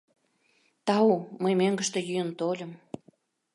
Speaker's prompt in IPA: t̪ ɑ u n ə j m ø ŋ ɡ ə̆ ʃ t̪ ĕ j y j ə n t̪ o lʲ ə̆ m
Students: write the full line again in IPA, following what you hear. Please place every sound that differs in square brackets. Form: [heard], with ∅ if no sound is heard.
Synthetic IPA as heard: t̪ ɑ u [m] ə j m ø ŋ ɡ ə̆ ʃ t̪ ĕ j y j ə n t̪ o lʲ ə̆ m